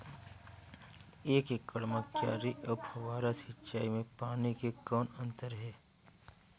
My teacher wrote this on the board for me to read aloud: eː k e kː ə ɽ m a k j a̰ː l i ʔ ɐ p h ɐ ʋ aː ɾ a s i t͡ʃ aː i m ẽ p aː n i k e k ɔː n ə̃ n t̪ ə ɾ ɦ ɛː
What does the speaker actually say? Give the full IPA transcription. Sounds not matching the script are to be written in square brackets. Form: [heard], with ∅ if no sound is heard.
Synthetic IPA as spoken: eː k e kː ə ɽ m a k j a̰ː [ɾ] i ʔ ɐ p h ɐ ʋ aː ɾ a s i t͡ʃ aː i m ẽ p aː n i k e k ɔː n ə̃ n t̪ ə ɾ ɦ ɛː

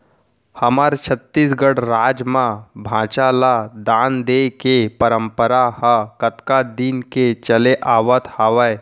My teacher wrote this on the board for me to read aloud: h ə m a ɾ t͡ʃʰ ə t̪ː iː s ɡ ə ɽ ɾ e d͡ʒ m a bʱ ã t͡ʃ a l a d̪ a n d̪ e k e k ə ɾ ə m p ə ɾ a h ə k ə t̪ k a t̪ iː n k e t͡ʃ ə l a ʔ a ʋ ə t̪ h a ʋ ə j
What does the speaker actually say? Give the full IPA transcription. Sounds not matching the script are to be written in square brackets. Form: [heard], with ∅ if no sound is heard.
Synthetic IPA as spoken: h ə m a ɾ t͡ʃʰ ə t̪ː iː s ɡ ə ɽ ɾ [a] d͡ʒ m a bʱ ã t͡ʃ a l a d̪ a n d̪ e k e [p] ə ɾ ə m p ə ɾ a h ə k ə t̪ k a [d̪] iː n k e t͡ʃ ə l [e] ʔ a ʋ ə t̪ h a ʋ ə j

